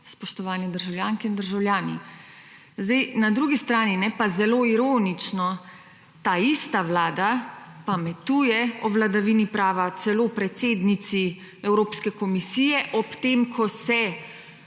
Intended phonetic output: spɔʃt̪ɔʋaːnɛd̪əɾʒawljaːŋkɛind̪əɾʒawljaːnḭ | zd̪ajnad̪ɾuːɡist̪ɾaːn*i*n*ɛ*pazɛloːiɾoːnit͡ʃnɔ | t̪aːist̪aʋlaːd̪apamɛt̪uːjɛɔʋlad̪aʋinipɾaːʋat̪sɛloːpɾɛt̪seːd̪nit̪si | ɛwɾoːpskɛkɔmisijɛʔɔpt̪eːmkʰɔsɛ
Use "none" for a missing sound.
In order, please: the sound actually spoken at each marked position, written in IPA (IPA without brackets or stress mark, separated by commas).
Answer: i, ɛ